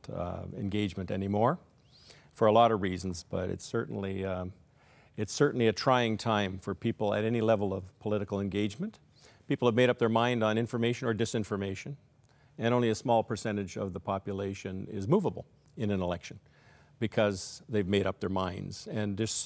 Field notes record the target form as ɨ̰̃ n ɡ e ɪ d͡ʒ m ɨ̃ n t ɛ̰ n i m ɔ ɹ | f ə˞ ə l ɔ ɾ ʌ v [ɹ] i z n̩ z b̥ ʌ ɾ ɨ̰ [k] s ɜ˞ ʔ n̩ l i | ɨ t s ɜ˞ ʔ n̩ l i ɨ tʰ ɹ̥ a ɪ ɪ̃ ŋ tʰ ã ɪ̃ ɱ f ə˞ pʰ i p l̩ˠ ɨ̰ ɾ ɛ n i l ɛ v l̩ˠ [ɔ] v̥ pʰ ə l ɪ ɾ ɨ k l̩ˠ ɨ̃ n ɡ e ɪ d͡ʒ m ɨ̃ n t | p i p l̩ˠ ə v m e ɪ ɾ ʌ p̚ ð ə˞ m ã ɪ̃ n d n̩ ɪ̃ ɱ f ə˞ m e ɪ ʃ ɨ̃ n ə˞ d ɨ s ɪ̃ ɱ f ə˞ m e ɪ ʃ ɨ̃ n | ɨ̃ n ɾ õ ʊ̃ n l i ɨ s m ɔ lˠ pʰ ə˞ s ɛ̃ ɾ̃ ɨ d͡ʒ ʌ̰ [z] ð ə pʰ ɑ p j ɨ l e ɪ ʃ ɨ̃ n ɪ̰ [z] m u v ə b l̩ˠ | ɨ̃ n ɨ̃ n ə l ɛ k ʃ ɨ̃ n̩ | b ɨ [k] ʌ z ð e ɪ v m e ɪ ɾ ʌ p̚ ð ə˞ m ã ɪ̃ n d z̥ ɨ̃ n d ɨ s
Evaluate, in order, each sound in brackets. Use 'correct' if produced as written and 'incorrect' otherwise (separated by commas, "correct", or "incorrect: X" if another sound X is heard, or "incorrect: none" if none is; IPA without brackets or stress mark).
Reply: correct, incorrect: t, incorrect: ʌ, incorrect: v, correct, incorrect: kʰ